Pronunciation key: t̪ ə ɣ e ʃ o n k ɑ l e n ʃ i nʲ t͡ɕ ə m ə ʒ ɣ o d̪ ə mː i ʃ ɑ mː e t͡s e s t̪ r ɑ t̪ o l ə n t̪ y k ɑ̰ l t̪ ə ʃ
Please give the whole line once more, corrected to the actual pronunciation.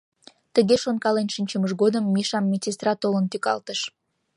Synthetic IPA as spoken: t̪ ə ɣ e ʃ o n k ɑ l e n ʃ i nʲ t͡ɕ ə m ə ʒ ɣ o d̪ ə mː i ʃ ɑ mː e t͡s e s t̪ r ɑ t̪ o l ə n t̪ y k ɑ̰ l t̪ ə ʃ